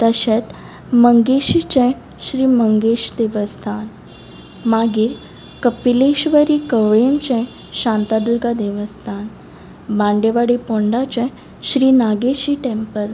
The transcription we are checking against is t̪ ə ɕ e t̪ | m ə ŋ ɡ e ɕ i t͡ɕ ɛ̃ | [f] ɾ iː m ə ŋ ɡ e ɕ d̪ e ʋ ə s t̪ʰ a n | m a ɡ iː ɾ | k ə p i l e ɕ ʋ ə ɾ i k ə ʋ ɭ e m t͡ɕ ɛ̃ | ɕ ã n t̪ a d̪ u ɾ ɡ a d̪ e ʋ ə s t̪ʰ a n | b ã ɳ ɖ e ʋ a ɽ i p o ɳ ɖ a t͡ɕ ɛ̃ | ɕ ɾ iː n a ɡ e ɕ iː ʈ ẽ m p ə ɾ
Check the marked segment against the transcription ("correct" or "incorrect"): incorrect